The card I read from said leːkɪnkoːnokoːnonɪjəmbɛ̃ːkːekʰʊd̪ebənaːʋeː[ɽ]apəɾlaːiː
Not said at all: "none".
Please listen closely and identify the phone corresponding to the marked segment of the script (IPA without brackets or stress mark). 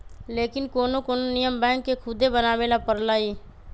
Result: l